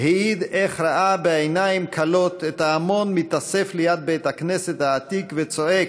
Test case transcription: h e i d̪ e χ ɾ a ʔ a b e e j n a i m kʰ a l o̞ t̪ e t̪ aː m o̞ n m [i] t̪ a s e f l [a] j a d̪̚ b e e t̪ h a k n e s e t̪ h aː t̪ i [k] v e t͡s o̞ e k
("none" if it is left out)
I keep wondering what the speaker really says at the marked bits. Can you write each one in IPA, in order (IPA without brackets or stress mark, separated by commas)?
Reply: i, e, k